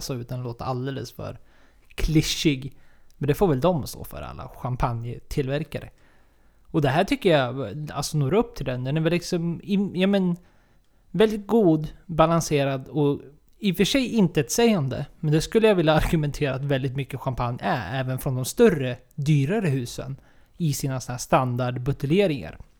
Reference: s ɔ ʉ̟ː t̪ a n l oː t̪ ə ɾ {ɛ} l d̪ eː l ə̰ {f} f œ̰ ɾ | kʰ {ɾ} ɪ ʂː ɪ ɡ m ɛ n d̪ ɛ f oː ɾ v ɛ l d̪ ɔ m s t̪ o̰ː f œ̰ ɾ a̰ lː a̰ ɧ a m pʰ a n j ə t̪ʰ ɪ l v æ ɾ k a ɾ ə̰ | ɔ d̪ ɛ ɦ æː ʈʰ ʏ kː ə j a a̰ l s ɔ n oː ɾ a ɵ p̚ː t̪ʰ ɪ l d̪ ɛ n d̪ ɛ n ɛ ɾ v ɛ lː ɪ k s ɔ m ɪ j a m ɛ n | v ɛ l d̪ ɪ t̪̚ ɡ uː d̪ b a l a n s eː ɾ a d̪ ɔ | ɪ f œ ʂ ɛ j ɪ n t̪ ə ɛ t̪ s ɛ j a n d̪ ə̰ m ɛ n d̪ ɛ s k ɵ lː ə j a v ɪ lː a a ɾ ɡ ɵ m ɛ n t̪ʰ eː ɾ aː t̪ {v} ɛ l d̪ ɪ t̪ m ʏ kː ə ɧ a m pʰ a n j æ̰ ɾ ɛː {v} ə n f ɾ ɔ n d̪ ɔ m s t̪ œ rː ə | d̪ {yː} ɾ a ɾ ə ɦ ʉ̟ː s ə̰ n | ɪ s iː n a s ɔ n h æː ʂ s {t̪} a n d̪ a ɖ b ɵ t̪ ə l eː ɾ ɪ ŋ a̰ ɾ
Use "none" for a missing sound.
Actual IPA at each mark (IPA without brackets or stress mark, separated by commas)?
a, s, l, v, v, yː, t̪